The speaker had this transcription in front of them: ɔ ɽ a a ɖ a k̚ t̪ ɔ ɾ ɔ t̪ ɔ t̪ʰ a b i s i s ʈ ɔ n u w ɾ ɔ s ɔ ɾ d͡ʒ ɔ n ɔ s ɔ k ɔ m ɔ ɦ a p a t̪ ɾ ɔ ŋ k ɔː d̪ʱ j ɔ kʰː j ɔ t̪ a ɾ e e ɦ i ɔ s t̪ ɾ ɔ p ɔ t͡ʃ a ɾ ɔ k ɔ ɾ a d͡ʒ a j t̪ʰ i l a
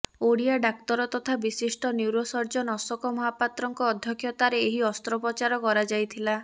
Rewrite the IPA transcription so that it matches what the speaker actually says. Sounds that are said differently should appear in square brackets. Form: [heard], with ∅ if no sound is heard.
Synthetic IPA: [o] ɽ [i] a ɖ a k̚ t̪ ɔ ɾ ɔ t̪ ɔ t̪ʰ a b i s i s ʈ ɔ n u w ɾ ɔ s ɔ ɾ d͡ʒ ɔ n ɔ s ɔ k ɔ m ɔ ɦ a p a t̪ ɾ ɔ ŋ k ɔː d̪ʱ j ɔ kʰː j ɔ t̪ a ɾ e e ɦ i ɔ s t̪ ɾ ɔ p ɔ t͡ʃ a ɾ ɔ k ɔ ɾ a d͡ʒ a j t̪ʰ i l a